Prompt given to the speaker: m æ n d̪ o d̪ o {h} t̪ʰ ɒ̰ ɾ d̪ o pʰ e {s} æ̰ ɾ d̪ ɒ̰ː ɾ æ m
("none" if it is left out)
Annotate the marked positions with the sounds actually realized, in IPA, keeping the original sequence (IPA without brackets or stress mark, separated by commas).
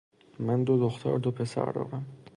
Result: x, s